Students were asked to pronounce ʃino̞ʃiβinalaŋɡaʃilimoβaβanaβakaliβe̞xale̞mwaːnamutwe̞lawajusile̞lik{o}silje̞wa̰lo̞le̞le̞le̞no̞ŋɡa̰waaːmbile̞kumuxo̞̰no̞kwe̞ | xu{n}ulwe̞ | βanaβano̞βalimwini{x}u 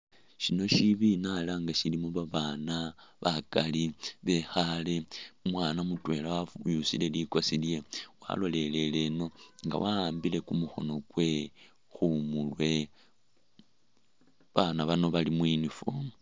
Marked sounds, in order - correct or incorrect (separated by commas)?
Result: correct, incorrect, incorrect